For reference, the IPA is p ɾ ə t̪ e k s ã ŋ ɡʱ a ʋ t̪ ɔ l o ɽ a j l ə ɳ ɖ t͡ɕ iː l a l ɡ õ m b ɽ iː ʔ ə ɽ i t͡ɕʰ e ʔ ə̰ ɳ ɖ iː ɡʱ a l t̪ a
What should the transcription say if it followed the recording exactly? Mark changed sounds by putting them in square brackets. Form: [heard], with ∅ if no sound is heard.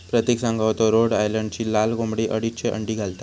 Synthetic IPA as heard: p ɾ ə t̪ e k s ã ŋ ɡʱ a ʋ t̪ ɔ [ɾ] o ɽ a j l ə ɳ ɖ t͡ɕ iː l a l ɡ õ m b ɽ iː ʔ ə ɽ i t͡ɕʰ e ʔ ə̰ ɳ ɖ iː ɡʱ a l t̪ a